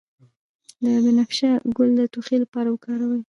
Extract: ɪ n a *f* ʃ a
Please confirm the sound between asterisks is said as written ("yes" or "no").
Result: yes